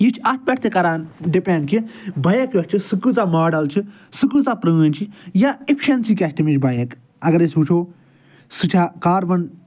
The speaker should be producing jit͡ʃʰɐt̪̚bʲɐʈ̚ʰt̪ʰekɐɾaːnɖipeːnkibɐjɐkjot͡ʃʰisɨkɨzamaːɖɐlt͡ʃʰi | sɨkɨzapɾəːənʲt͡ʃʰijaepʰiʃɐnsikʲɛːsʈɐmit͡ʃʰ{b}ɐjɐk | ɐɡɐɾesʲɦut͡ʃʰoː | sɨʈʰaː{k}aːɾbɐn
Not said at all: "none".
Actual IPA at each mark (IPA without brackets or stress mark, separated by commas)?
b, k